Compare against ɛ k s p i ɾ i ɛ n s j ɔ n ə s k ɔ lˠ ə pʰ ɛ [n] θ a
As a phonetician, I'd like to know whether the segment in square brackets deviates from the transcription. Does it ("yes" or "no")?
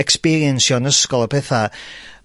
yes